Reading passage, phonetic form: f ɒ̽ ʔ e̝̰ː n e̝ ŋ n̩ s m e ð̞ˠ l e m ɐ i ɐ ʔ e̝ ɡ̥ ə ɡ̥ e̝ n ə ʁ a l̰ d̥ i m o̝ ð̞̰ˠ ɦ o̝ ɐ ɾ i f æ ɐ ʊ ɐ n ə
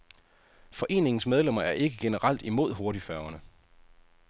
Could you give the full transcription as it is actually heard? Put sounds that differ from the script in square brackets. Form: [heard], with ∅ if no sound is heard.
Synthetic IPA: f ɒ̽ ʔ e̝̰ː n e̝ ŋ n̩ s m e ð̞ˠ l e m ɐ [æ] ɐ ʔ e̝ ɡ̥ ə ɡ̥ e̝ n ə ʁ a l̰ d̥ i m o̝ ð̞̰ˠ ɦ o̝ ɐ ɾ i f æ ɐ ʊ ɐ n ə